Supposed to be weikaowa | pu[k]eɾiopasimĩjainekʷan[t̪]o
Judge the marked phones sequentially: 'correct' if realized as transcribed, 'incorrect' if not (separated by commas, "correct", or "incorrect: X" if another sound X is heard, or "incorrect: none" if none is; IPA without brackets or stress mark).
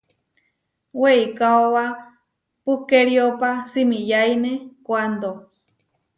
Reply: correct, incorrect: d̪